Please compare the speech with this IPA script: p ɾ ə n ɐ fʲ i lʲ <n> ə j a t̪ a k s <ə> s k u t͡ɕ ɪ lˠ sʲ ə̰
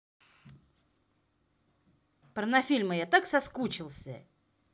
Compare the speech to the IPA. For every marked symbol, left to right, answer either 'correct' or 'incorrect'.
incorrect: m, incorrect: ɐ

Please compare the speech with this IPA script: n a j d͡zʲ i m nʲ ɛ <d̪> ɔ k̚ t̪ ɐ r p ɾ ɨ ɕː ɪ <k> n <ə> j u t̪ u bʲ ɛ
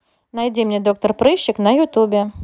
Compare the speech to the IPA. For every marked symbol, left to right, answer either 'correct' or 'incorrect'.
correct, correct, incorrect: ɐ

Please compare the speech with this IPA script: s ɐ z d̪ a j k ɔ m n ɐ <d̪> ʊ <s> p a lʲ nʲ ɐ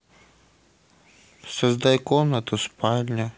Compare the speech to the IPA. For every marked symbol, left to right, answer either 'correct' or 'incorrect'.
incorrect: t̪, correct

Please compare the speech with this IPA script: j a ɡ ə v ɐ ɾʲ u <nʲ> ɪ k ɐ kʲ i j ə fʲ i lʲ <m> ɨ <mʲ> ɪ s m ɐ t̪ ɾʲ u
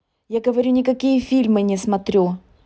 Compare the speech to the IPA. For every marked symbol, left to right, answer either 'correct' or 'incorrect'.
correct, correct, incorrect: nʲ

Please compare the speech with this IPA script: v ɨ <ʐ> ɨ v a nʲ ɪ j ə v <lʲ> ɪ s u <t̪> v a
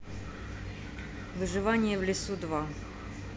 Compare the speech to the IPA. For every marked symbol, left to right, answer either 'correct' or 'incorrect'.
correct, correct, incorrect: d̪

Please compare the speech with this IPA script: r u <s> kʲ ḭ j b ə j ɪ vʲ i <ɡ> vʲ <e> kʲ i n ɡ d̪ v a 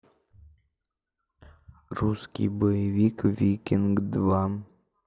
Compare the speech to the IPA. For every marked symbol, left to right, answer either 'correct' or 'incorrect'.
correct, incorrect: k, incorrect: i

